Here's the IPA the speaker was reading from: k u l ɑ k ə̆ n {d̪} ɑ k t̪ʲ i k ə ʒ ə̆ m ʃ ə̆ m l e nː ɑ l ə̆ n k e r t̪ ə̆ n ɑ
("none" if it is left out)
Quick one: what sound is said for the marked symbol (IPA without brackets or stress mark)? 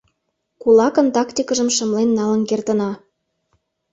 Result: t̪